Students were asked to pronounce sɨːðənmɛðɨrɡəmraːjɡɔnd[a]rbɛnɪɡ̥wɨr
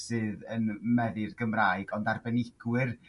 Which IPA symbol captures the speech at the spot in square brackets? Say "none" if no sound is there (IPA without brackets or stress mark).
a